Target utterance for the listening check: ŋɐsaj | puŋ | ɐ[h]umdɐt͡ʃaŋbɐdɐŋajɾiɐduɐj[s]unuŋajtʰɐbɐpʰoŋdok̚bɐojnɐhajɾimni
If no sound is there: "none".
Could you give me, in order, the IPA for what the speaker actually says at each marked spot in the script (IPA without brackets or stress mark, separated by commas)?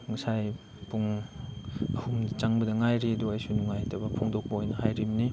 h, s